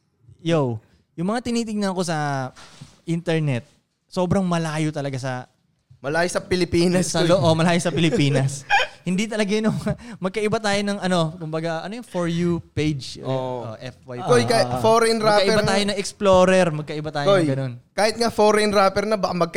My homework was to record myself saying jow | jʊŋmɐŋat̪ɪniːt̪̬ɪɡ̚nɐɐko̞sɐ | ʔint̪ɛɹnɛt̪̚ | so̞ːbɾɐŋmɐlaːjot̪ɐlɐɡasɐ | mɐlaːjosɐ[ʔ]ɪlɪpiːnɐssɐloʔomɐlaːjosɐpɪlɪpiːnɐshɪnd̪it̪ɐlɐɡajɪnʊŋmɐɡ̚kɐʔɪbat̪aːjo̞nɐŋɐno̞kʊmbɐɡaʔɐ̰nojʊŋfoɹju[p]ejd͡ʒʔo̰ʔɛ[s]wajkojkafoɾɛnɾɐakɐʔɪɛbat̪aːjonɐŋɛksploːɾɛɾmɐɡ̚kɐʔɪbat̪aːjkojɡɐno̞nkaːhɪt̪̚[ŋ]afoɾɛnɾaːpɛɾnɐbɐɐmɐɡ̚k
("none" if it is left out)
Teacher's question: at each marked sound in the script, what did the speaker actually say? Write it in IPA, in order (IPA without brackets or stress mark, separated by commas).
p, p, f, ŋ